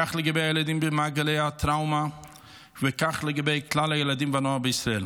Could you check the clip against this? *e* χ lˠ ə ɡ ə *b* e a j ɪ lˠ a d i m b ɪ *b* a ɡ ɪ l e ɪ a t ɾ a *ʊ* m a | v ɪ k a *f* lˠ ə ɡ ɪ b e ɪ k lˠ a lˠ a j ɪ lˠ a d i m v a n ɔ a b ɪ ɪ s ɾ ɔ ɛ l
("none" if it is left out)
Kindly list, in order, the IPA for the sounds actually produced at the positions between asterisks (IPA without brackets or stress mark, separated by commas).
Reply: a, b, m, ʊ, χ